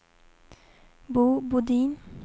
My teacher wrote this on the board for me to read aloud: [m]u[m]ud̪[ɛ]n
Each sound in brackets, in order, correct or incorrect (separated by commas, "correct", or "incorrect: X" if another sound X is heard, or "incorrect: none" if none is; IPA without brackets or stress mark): incorrect: b, incorrect: b, incorrect: i